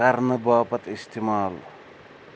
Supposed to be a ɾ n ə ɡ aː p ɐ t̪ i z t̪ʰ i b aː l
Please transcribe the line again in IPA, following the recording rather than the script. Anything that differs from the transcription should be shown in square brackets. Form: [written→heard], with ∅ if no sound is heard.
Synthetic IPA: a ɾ n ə [ɡ→b] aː p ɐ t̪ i [z→s] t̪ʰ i [b→m] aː l